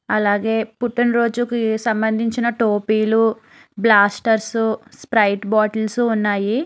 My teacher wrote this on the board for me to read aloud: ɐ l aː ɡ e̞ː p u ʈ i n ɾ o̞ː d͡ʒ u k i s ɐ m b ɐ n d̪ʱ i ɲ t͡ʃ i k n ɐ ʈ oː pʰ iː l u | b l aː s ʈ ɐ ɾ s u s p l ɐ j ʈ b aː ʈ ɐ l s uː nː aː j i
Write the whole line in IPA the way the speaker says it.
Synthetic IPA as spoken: ɐ l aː ɡ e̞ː p u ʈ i n ɾ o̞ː d͡ʒ u k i s ɐ m b ɐ n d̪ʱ i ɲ t͡ʃ i n ɐ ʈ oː p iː l u | b l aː s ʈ ɐ ɾ s u s p ɾ ɐ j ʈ b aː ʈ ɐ l s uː nː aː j i